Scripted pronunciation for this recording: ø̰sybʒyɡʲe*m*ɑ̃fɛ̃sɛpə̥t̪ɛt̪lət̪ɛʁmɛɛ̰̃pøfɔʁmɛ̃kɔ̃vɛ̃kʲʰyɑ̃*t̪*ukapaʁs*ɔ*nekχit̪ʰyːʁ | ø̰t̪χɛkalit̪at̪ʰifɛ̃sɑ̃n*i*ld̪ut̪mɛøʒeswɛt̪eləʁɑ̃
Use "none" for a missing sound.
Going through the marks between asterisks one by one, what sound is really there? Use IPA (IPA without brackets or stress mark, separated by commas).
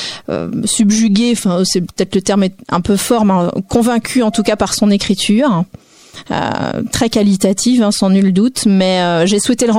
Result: none, t̪, ɔ̃, y